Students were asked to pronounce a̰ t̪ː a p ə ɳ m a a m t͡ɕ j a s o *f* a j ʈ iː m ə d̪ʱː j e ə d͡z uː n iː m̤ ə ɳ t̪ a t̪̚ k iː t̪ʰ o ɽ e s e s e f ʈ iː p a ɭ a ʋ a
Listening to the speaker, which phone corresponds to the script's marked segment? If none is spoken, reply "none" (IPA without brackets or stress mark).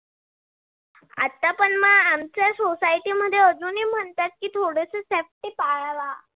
s